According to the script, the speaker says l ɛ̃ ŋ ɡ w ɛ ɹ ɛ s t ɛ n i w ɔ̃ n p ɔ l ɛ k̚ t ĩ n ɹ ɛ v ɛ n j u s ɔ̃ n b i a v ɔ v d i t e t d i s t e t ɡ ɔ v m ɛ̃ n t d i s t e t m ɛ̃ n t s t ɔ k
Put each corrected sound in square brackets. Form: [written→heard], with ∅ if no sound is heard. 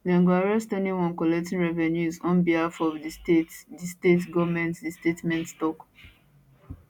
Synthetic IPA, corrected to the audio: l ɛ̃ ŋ ɡ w [ɛ→a] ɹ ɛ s t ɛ n i w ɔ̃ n [p→k] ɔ l ɛ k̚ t ĩ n ɹ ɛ v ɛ n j u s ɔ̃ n b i a [v→f] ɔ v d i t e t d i s t e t ɡ ɔ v m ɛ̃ n t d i s t e t m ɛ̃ n t s t ɔ k